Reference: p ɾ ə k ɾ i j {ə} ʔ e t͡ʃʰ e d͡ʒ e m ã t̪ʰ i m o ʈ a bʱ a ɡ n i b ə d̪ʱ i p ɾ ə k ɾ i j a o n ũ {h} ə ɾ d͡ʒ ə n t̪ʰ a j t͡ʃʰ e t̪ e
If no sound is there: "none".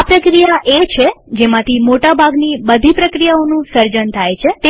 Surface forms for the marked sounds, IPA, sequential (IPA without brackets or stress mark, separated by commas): a, s